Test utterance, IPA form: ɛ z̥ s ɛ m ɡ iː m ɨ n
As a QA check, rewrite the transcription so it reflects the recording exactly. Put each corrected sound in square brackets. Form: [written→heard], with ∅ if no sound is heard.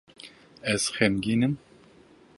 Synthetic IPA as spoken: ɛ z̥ [s→x] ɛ m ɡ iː [m→n] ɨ [n→m]

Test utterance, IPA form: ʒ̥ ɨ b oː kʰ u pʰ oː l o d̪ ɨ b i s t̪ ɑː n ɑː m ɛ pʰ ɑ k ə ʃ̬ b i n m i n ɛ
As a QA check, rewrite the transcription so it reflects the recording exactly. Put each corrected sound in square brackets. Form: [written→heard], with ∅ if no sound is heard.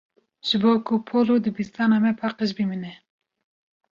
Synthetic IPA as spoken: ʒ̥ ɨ b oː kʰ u pʰ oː l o d̪ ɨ b i s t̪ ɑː n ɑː m ɛ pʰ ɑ [k→q] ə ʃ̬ b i [n→∅] m i n ɛ

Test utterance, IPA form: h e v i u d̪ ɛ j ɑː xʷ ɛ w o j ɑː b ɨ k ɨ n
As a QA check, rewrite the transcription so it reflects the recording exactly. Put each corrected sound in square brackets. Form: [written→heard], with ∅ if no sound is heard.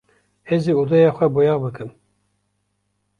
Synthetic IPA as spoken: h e [v→z] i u d̪ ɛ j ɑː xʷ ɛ [w→b] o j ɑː b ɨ k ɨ [n→m]

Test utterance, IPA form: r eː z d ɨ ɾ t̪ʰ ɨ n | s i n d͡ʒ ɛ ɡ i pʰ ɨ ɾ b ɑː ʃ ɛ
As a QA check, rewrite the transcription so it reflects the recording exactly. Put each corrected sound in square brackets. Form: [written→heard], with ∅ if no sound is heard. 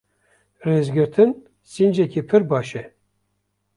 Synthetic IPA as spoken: r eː z [d→ɡ] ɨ ɾ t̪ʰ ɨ n | s i n d͡ʒ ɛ [ɡ→k] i pʰ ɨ ɾ b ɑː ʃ ɛ

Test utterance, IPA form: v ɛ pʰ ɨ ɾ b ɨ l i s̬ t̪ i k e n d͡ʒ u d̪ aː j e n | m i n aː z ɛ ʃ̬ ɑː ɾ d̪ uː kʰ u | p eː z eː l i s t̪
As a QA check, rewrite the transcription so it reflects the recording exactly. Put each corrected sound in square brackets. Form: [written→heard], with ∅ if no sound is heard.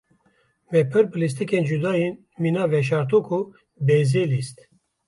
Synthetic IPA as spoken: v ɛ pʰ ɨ ɾ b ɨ l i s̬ t̪ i k e n d͡ʒ u d̪ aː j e n | m i n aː [z→v] ɛ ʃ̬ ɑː ɾ [d̪→t̪] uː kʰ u | [p→b] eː z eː l i s t̪

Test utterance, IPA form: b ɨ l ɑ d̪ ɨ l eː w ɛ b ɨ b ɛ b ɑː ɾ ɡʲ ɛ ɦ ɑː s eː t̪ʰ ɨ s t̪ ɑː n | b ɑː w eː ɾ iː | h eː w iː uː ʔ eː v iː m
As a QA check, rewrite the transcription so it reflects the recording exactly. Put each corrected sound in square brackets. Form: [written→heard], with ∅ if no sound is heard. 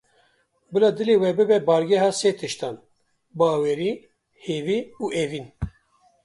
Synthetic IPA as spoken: b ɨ l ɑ d̪ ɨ l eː w ɛ b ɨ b ɛ b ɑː ɾ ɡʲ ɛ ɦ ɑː s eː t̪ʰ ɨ [s→ʃ] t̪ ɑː n | b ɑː w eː ɾ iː | h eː [w→v] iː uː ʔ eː v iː [m→n]

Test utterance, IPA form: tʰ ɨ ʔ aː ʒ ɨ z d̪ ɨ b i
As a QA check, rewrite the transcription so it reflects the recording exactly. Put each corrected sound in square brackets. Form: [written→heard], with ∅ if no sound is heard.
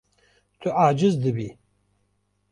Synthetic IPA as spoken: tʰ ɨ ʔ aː [ʒ→d͡ʒ] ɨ z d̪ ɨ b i

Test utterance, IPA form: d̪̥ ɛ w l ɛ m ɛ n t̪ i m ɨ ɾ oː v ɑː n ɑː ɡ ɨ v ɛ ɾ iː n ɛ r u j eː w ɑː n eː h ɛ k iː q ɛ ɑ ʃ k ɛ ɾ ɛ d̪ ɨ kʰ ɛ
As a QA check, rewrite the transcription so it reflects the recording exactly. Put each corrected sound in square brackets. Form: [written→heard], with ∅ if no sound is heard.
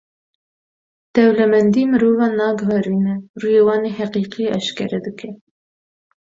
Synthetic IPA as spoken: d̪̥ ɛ w l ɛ m ɛ n [t̪→d̪] i m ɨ ɾ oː v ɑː n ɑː ɡ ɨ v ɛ ɾ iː n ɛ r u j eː w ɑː n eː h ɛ [k→q] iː q [ɛ→i] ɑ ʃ k ɛ ɾ ɛ d̪ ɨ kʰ ɛ

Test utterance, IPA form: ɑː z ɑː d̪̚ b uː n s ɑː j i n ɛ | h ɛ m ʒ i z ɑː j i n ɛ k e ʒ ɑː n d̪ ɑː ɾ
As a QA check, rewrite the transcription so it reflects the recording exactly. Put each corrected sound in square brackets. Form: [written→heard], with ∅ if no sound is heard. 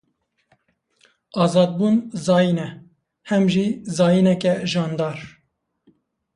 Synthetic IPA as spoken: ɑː z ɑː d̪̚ b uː n [s→z] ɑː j i n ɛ | h ɛ m ʒ i z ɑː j i n ɛ k [e→ɛ] ʒ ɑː n d̪ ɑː ɾ

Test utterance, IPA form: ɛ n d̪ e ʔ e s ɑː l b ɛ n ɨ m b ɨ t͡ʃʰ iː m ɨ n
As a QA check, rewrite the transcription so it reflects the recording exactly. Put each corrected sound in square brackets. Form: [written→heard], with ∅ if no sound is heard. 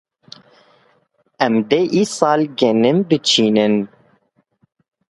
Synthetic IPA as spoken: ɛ [n→m] d̪ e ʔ [e→i] s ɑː l [b→ɡ] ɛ n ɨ m b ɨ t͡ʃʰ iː [m→n] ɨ n

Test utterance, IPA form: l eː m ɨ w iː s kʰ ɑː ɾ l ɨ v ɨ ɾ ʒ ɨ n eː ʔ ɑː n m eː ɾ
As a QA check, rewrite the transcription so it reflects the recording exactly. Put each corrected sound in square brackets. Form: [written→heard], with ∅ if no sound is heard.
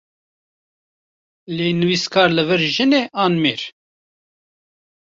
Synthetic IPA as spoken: l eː [m→n] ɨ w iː s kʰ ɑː ɾ l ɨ v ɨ ɾ ʒ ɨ n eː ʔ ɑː n m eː ɾ

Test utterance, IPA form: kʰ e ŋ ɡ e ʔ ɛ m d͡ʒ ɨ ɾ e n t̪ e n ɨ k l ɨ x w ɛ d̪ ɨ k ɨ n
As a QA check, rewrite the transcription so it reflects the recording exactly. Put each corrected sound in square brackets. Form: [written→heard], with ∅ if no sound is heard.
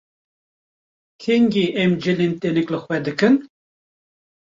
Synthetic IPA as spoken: kʰ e ŋ ɡ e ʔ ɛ m d͡ʒ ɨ [ɾ→l] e n t̪ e n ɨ k l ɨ x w ɛ d̪ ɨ k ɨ n

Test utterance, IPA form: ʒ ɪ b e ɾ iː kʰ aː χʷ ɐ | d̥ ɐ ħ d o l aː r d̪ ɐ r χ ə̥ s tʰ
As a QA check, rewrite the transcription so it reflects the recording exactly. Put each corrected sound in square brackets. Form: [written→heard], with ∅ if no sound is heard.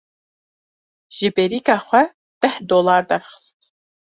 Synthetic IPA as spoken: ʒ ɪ b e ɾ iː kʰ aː χʷ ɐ | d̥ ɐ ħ d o l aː r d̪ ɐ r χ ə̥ s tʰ

